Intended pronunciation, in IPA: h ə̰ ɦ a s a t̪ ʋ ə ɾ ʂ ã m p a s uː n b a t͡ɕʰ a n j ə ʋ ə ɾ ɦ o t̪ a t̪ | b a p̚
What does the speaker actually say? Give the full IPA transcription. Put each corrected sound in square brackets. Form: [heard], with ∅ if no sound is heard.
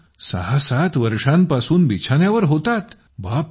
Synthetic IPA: [s] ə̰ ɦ a s a t̪ ʋ ə ɾ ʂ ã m p a s uː n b [i] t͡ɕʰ a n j [a] ʋ ə ɾ ɦ o t̪ a t̪ | b a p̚